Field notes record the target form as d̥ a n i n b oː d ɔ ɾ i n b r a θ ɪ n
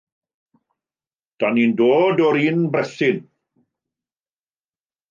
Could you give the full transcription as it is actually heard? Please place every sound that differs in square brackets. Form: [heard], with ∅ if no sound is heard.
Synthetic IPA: d̥ a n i n [d] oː d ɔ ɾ i n b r [ɛ] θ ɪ n